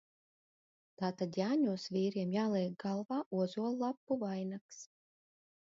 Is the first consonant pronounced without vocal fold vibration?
yes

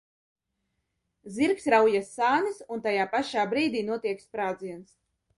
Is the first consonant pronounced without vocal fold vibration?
no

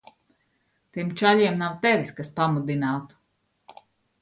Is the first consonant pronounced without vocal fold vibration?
yes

